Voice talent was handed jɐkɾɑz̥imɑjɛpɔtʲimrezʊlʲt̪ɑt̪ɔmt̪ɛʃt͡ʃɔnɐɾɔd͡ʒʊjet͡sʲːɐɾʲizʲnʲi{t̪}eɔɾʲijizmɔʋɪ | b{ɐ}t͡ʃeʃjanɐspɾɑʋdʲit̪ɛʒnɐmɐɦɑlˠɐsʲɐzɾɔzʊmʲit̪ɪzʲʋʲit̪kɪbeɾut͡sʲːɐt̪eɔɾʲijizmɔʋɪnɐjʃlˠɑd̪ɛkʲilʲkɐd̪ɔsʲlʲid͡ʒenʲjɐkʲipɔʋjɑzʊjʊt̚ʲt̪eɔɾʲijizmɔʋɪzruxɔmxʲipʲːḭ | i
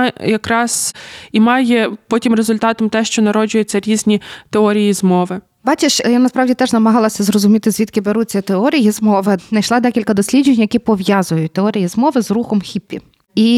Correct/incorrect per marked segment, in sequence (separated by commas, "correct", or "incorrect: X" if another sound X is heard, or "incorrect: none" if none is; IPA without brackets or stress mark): correct, incorrect: ɑ